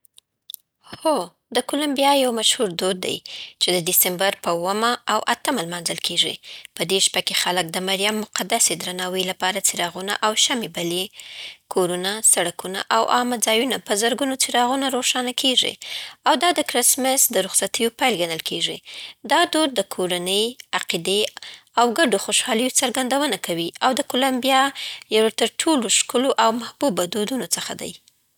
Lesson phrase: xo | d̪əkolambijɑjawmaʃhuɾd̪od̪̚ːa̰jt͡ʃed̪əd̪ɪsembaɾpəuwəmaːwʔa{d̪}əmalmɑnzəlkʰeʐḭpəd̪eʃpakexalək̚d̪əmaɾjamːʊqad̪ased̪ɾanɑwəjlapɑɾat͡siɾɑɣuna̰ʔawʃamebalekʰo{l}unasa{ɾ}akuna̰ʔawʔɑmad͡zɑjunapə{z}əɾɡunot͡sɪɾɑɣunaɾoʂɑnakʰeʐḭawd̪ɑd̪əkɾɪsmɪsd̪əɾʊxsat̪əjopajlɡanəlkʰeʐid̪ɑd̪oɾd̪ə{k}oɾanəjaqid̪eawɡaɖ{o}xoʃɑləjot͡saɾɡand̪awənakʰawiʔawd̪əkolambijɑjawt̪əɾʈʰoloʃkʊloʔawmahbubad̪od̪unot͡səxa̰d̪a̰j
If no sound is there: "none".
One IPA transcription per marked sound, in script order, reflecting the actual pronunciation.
t̪, ɾ, ɽ, z, kʰ, o

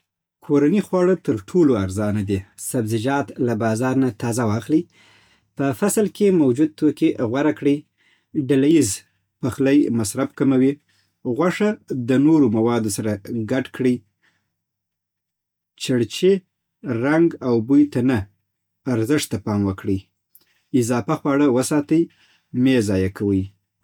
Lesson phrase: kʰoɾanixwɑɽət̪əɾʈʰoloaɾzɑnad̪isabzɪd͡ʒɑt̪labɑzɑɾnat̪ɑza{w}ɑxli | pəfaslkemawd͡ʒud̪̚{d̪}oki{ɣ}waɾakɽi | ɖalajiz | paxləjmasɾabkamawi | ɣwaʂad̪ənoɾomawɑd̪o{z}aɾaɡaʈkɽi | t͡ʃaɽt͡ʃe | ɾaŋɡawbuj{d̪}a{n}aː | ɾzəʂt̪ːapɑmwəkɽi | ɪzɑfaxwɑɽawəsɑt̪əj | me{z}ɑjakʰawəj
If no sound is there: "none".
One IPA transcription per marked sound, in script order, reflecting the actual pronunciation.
w, t̪, ɣ, s, t̪, n, z

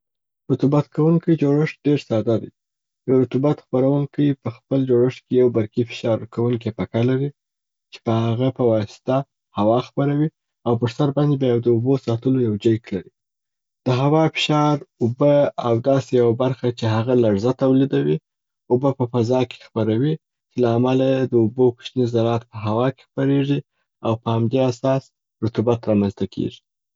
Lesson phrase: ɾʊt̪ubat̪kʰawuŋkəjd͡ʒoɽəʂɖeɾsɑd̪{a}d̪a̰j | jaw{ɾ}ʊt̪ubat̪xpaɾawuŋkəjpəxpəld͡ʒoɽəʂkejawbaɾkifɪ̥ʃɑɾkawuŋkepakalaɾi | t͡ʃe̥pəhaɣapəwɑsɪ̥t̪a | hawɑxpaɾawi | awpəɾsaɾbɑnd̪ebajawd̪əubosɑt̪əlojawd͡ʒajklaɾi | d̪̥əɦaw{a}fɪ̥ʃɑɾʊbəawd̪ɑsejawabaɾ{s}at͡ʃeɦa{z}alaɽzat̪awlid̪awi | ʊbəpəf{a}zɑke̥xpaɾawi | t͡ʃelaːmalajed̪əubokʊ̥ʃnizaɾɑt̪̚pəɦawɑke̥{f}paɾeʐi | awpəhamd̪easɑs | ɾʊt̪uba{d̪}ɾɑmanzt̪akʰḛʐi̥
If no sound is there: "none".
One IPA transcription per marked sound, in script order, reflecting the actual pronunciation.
a, ɾ, ɑ, x, ɣ, a, x, t̪

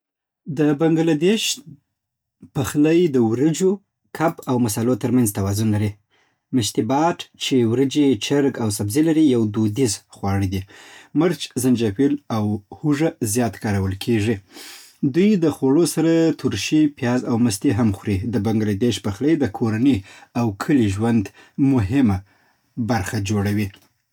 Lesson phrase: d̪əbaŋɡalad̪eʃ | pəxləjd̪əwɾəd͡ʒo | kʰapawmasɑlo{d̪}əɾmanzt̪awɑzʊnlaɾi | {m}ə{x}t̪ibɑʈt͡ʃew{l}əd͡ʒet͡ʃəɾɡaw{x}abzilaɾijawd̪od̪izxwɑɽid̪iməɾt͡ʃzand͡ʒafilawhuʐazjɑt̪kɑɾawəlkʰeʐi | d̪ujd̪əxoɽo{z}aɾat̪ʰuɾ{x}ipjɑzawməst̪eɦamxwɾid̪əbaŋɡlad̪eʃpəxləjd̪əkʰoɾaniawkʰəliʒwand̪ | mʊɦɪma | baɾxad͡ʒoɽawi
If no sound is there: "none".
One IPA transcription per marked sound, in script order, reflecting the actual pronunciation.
t̪, m, ʃ, ɾ, s, s, ʃ

